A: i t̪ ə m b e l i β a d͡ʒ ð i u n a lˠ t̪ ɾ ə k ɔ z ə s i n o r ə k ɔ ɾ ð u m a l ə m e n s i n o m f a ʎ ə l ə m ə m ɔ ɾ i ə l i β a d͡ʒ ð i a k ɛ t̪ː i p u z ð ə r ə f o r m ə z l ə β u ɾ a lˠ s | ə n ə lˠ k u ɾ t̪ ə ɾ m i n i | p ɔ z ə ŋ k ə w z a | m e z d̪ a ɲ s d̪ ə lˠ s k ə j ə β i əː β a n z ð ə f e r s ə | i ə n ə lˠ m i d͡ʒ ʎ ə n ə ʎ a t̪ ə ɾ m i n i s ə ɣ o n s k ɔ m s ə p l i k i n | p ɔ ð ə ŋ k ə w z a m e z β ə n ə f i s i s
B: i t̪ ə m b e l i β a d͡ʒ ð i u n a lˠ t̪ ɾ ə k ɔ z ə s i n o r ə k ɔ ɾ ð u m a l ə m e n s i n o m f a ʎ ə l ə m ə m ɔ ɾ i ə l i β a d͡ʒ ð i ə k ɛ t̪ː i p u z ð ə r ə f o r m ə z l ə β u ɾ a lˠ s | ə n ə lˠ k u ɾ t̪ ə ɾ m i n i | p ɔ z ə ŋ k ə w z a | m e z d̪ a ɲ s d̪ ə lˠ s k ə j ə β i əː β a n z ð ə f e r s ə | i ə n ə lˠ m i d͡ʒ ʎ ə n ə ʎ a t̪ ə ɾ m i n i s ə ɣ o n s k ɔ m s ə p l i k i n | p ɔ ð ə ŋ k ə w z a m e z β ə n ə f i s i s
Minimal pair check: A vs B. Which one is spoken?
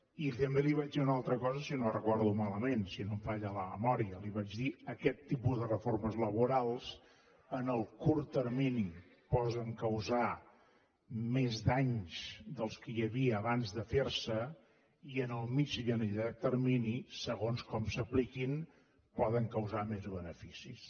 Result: B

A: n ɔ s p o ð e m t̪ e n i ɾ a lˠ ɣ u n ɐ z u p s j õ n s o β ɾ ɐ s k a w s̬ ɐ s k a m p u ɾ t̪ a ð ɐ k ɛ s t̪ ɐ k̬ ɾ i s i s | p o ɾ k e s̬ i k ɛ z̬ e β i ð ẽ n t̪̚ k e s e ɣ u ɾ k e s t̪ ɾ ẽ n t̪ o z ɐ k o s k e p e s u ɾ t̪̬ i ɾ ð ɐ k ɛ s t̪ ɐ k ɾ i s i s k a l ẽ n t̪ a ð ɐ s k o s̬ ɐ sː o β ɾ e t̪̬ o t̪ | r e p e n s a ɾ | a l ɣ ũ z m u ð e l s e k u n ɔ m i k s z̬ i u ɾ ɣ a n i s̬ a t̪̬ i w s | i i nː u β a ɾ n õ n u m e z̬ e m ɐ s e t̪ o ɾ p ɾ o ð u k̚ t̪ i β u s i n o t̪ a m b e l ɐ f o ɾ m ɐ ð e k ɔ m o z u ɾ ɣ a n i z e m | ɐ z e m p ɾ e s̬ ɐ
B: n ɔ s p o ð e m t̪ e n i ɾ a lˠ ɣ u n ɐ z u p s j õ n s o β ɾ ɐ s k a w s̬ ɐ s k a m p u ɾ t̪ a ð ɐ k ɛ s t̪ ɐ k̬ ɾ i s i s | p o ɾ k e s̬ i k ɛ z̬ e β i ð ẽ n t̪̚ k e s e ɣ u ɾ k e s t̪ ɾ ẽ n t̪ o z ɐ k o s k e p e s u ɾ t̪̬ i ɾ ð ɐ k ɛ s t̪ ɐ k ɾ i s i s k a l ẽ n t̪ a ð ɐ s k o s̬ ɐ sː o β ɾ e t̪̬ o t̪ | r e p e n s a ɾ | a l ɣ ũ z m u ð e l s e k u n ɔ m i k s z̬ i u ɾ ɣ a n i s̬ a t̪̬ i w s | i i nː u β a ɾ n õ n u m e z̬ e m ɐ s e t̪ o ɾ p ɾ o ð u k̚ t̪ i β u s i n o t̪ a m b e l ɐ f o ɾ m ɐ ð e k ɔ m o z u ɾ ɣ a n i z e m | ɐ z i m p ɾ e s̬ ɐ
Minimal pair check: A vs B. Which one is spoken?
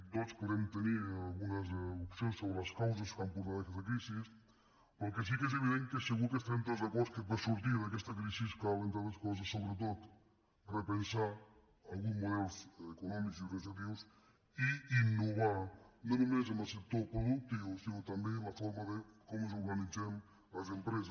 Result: A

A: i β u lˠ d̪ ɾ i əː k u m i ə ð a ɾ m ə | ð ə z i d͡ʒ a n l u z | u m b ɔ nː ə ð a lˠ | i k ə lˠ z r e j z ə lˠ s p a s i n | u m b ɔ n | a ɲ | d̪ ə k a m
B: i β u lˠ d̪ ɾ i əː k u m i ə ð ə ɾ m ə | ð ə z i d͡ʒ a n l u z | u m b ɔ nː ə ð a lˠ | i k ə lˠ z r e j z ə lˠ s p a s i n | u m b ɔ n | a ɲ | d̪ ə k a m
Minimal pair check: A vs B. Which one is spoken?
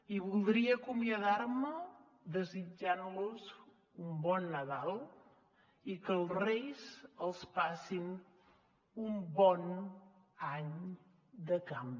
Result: A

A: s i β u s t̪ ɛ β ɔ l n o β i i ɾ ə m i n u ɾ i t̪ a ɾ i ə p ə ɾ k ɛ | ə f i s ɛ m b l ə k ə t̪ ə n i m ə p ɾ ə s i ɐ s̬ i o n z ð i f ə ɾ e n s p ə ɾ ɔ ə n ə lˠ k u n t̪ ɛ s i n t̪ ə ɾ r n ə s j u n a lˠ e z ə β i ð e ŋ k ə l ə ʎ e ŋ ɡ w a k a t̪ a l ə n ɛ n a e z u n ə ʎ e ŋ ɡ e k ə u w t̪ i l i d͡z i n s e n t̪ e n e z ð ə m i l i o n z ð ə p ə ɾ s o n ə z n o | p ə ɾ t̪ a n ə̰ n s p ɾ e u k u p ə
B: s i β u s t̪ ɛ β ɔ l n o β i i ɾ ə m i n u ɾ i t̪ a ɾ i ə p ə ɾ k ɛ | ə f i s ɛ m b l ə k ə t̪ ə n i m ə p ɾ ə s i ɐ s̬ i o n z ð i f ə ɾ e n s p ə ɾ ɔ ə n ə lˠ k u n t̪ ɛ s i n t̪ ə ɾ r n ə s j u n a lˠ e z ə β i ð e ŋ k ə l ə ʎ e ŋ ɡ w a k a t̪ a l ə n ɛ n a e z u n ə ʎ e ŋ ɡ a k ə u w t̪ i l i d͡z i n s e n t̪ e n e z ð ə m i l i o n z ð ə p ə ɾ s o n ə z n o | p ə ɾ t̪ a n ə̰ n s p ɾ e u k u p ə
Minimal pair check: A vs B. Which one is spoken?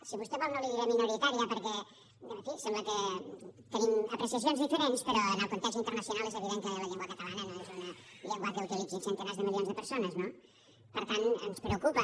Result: B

